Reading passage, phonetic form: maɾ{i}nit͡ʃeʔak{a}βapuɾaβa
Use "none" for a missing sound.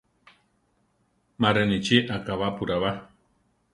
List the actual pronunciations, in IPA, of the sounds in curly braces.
e, a

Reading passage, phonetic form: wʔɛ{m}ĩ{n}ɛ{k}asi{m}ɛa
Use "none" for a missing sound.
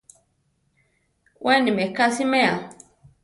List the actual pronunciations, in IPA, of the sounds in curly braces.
n, m, k, m

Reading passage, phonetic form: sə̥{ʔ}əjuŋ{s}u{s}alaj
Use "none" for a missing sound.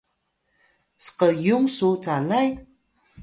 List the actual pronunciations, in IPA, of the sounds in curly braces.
q, s, t͡s

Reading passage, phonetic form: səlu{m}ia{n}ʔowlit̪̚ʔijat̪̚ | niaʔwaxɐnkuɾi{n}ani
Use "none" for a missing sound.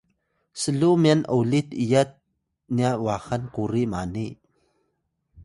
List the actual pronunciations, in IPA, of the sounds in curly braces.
m, n, m

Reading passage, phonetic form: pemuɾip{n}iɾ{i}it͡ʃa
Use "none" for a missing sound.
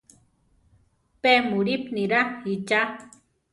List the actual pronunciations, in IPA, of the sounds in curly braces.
n, a

